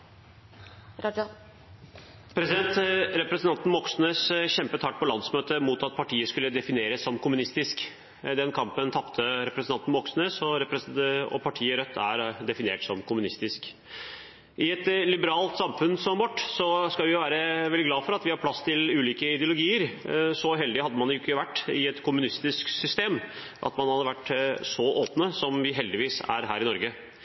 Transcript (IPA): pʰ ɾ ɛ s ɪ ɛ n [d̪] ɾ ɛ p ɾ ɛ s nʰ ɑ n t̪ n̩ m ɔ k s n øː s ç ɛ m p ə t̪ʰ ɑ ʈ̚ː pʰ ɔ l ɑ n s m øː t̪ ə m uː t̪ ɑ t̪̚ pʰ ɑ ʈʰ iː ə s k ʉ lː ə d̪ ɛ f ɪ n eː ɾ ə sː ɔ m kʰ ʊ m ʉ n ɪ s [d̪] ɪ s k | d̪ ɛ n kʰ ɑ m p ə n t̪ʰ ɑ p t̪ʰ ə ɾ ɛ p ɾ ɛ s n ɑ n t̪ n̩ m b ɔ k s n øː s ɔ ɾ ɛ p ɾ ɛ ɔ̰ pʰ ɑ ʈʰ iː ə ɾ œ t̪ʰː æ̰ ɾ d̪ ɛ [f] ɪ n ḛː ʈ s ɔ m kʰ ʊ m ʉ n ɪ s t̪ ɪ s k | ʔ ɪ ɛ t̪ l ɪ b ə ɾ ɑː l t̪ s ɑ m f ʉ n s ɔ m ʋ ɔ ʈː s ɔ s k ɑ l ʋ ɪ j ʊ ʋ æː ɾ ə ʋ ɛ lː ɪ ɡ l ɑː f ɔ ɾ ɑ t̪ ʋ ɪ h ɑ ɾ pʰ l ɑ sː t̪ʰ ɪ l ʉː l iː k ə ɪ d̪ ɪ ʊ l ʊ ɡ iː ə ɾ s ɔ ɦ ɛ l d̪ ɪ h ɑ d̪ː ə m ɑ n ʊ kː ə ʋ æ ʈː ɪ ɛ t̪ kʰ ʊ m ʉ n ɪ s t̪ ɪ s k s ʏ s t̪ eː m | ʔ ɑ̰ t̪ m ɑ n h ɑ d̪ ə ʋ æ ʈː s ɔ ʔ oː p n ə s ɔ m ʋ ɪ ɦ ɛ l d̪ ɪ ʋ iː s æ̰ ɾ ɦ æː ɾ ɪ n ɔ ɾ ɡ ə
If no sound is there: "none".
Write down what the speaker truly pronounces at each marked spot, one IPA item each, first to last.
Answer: t̪, t̪, f

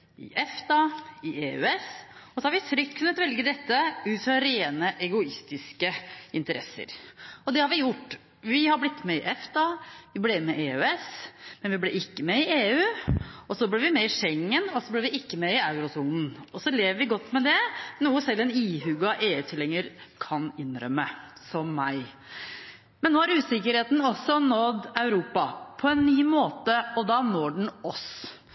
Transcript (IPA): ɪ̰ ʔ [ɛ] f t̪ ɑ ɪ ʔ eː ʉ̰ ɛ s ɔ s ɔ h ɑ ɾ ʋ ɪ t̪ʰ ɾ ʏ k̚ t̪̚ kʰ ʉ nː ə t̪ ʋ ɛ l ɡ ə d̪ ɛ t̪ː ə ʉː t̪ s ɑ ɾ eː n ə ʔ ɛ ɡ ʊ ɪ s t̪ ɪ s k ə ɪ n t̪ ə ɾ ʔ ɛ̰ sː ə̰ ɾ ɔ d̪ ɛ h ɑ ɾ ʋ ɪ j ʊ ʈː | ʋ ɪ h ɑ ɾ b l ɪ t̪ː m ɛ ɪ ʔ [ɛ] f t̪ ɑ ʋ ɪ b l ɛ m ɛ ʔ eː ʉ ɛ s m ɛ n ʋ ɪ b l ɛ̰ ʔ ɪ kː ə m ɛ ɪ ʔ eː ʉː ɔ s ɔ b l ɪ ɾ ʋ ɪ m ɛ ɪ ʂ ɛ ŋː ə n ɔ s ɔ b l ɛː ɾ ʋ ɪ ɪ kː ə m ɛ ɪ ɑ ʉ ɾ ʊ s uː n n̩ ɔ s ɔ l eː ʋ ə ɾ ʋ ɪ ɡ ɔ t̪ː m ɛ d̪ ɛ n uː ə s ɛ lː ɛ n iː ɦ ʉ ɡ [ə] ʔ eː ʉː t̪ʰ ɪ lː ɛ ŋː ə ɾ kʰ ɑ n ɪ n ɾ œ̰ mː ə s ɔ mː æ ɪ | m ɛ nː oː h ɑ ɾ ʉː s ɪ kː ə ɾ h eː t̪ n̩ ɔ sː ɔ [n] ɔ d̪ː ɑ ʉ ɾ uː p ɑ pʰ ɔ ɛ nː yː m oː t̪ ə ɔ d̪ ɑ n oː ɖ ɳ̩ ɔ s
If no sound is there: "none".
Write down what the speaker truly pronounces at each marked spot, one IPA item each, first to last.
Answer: ɛ, ɛ, ɑ, n

